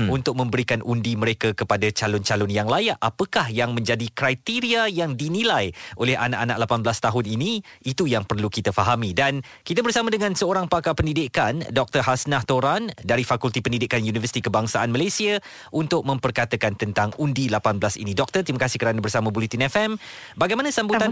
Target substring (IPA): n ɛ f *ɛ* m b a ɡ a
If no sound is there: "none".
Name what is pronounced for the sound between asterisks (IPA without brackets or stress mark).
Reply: ɛ